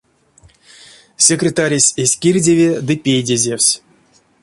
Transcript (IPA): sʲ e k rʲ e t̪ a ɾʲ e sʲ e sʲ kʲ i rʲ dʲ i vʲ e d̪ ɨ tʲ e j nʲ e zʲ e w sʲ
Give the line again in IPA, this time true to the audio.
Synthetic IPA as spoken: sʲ e k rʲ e t̪ a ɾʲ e sʲ e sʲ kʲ i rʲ dʲ e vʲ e d̪ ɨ pʲ e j dʲ e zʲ e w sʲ